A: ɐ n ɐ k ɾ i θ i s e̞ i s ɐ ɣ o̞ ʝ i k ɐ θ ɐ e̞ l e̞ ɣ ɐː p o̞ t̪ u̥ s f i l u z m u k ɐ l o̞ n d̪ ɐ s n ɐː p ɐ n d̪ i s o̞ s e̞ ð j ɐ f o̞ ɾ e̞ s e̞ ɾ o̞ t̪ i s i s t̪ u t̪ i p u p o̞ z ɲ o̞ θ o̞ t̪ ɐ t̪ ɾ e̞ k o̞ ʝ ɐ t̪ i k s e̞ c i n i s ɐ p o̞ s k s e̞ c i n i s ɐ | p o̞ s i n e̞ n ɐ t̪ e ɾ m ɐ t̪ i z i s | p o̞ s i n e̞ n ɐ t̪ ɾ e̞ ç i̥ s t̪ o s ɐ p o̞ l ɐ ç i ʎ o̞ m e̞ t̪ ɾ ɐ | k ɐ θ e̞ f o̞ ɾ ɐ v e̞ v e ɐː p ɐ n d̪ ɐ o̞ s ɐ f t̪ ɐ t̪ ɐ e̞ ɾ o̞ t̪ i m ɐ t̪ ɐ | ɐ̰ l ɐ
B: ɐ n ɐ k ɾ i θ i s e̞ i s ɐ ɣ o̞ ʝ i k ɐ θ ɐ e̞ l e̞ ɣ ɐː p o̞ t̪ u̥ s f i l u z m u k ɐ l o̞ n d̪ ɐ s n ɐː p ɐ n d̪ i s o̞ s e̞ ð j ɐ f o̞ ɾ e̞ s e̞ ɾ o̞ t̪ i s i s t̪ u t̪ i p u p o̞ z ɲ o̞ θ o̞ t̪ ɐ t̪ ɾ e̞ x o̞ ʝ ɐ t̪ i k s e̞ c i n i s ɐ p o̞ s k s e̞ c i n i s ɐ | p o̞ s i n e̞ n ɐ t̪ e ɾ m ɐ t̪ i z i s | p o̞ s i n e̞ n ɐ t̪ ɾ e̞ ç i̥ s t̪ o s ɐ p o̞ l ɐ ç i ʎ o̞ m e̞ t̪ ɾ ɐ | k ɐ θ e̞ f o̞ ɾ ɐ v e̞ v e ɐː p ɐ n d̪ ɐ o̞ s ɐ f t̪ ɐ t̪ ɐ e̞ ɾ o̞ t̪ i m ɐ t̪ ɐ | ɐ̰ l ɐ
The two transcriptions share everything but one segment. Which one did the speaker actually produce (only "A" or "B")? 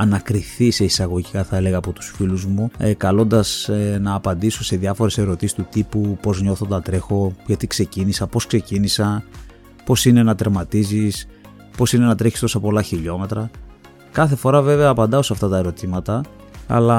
B